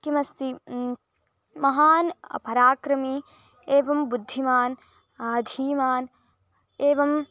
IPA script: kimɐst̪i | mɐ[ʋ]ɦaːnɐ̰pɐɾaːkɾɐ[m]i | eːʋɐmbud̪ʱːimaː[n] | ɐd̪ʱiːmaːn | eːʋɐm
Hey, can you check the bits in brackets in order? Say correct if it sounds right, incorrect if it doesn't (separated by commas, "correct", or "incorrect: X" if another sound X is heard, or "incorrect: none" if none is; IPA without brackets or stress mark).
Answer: incorrect: none, correct, correct